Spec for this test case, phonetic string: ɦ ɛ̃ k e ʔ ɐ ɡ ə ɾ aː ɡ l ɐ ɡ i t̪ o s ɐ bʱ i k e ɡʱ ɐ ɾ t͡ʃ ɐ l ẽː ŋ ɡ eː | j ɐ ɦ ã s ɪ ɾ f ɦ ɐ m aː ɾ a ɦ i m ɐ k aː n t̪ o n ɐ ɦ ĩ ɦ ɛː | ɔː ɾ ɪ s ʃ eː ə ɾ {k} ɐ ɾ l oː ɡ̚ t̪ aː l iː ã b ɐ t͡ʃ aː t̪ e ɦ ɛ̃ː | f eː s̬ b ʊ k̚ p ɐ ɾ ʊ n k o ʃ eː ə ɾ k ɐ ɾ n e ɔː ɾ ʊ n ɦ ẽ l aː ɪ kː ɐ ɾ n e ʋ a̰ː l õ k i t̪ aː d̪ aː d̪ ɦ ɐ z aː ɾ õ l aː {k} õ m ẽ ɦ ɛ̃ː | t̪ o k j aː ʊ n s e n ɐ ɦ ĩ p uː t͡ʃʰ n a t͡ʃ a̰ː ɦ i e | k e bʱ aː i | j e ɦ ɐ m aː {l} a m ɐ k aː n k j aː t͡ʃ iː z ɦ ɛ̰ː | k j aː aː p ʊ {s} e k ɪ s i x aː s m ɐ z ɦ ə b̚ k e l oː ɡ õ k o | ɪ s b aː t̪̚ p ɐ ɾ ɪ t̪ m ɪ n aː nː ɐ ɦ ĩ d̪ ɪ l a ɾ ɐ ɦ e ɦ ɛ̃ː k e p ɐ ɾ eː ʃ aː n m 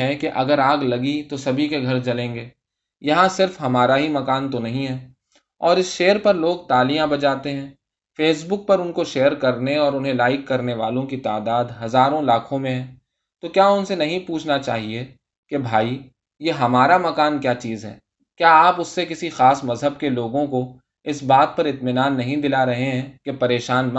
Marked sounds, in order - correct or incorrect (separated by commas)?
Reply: incorrect, incorrect, incorrect, incorrect